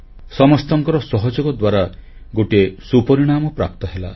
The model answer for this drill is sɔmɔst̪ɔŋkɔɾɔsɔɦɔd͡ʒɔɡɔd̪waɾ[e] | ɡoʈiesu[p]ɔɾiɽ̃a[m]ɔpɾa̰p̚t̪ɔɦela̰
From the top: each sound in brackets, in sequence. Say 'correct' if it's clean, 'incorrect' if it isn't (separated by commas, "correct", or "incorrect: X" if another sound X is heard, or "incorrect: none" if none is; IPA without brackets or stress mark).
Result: incorrect: a, correct, correct